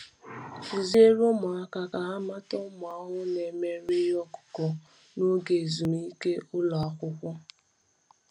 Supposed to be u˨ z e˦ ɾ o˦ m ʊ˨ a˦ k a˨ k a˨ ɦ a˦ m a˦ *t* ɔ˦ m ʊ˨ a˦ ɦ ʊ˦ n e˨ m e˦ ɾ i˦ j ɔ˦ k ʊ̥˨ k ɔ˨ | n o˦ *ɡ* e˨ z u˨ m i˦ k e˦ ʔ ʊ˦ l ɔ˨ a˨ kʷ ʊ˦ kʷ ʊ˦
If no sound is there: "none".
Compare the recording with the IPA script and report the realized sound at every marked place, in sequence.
t, ɡ

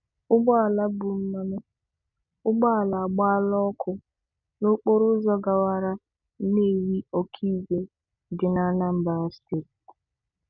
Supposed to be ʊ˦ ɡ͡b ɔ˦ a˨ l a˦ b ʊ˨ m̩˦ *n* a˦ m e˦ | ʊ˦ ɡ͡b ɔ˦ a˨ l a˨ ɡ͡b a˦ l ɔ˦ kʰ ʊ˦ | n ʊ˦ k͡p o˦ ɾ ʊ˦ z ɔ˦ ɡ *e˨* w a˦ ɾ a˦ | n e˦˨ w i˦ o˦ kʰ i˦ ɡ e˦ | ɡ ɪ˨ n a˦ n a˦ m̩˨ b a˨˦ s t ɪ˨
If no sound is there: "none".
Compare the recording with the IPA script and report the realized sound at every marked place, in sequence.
m, a˨

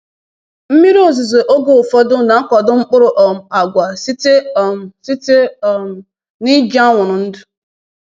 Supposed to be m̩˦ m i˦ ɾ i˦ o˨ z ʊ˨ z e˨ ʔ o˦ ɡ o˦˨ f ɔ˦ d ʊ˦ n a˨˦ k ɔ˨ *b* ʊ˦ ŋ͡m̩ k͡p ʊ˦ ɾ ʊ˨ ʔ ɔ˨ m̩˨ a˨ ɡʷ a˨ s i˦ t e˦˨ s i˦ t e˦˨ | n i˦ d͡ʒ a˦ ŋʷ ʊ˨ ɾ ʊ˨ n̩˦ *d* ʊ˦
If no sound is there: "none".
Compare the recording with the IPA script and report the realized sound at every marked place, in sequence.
d, d

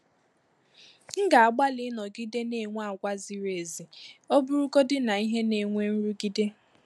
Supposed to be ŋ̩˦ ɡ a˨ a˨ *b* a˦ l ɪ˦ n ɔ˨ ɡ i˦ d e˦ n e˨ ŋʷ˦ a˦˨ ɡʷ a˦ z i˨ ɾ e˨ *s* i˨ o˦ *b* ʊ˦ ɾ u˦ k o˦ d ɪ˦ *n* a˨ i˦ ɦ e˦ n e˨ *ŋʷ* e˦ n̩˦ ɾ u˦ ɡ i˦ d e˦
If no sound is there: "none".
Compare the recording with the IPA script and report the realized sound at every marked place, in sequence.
ɡ͡b, z, b, n, ŋʷ

